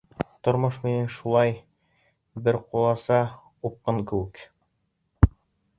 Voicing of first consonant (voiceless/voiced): voiceless